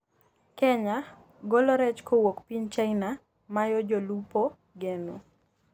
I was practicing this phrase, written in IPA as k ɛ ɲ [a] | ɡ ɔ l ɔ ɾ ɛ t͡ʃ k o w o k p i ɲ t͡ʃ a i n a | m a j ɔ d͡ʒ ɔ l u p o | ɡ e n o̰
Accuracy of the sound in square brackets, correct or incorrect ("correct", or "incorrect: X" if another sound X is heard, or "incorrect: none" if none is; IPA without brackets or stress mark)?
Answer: correct